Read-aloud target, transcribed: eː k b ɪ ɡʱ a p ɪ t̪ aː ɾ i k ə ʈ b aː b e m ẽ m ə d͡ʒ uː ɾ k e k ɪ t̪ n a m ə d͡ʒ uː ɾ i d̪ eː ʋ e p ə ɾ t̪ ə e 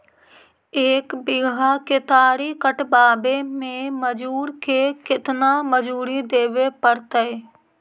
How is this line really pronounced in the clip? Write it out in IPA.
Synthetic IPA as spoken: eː k b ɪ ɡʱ a k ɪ t̪ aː ɾ i k ə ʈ b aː b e m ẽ m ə d͡ʒ uː ɾ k e k ɪ t̪ n a m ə d͡ʒ uː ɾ i d̪ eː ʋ e p ə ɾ t̪ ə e